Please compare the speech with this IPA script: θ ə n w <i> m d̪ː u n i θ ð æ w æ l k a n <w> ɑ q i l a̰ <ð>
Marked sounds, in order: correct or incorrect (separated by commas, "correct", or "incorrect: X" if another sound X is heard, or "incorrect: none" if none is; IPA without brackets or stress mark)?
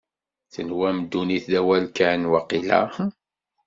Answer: incorrect: æ, correct, incorrect: none